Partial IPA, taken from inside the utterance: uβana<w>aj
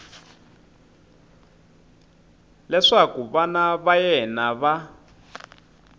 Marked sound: incorrect: β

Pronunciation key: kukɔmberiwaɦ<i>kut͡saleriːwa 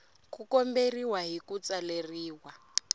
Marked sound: correct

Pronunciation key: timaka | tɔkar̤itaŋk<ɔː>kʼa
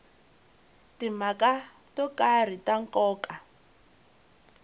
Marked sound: correct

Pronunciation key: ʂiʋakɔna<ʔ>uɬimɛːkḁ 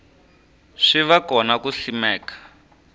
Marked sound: incorrect: k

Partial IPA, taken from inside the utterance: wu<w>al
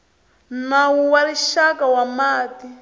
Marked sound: correct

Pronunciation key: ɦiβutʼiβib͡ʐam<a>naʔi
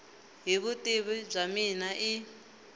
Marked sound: incorrect: i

